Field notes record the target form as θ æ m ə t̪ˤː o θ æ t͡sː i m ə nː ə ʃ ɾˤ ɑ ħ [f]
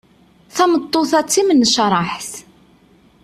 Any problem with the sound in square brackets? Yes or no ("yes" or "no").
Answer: yes